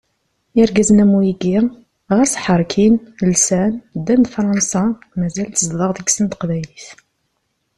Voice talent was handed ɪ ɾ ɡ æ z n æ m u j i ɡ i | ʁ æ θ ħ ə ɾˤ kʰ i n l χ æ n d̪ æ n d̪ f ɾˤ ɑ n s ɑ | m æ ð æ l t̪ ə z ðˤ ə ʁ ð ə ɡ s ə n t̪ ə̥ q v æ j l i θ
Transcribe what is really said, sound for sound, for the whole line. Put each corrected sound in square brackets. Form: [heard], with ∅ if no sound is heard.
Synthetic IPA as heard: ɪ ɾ ɡ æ z n æ m u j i ɡ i | ʁ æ [s] ħ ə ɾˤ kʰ i n l [s] æ n d̪ æ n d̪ f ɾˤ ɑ n s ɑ | m æ [z] æ l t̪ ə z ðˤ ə ʁ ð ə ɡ s ə n t̪ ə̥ q v æ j l i θ